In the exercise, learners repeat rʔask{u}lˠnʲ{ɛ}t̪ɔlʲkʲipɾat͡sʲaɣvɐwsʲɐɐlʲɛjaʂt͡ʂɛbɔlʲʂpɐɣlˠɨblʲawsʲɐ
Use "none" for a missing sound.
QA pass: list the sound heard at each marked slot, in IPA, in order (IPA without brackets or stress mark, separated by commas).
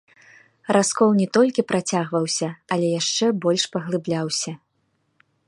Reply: ɔ, ɛ